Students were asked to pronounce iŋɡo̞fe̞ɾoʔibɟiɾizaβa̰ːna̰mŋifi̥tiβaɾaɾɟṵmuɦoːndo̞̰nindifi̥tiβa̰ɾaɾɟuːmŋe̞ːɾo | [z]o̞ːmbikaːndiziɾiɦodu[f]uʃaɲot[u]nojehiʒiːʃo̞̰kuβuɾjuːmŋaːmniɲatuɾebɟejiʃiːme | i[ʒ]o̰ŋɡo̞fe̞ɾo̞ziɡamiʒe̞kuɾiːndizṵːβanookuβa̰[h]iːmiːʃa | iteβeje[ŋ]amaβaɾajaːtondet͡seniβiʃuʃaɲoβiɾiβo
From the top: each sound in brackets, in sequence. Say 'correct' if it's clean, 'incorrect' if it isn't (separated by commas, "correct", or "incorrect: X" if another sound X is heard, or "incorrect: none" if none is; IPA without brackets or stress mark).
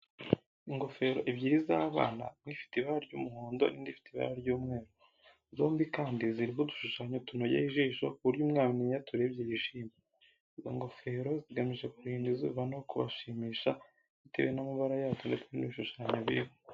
correct, incorrect: ʃ, correct, incorrect: z, incorrect: ʃ, incorrect: n